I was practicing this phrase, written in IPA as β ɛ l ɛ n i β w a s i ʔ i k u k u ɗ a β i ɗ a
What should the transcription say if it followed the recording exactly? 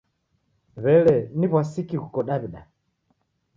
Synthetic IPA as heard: β ɛ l ɛ n i β w a s i k i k u k ɔ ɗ a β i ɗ a